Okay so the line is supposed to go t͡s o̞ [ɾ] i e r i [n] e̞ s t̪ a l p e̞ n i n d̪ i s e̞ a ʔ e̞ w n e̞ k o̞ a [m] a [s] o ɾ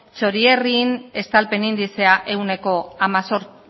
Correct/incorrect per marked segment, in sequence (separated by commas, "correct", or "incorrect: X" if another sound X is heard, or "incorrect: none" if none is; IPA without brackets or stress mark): correct, correct, correct, correct